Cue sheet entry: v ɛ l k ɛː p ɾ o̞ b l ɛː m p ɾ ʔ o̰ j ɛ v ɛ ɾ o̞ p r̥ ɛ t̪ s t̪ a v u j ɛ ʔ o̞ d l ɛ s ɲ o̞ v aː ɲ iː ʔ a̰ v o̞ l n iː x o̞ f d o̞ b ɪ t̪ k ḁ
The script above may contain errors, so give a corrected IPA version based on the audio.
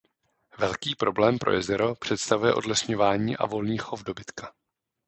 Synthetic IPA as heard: v ɛ l k iː p ɾ o̞ b l ɛː m p ɾ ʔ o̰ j ɛ z ɛ ɾ o̞ p r̥ ɛ t̪ s t̪ a v u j ɛ ʔ o̞ d l ɛ s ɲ o̞ v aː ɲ iː ʔ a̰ v o̞ l n iː x o̞ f d o̞ b ɪ t̪ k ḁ

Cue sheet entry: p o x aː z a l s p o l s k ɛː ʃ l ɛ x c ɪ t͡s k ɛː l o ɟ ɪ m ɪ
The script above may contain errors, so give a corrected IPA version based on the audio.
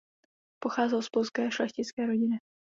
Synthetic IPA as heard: p o x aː z ɛ l s p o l s k ɛː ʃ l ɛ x c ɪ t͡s k ɛː ɾ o ɟ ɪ n ɪ

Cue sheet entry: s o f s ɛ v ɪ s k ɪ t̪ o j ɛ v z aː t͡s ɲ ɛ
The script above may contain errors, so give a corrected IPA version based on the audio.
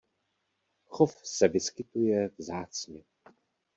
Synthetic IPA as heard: x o f s ɛ v ɪ s k ɪ t̪ u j ɛ v z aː t͡s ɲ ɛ

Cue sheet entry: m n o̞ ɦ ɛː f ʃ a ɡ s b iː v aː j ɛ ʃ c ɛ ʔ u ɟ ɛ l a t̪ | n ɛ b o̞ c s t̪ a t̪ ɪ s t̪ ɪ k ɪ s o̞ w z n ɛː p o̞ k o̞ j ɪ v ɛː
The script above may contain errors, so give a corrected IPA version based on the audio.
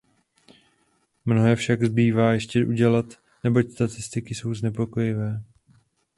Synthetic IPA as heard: m n o̞ ɦ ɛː f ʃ a ɡ z b iː v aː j ɛ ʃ c ɛ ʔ u ɟ ɛ l a t̪ | n ɛ b o̞ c s t̪ a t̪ ɪ s t̪ ɪ k ɪ s o̞ w z n ɛ p o̞ k o̞ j ɪ v ɛː

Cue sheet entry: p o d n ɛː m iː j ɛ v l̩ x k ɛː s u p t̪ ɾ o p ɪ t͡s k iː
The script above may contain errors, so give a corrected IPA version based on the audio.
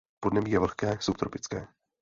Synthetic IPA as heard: p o d n ɛ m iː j ɛ v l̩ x k ɛː s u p t̪ ɾ o p ɪ t͡s k ɛː

